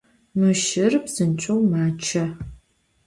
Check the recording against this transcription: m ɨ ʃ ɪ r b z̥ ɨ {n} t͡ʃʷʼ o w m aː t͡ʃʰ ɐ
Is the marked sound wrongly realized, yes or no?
no